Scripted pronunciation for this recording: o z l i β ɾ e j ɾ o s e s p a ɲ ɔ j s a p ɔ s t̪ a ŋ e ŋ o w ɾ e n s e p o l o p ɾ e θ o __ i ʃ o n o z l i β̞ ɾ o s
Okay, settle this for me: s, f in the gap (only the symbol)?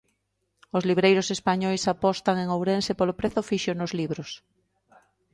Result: f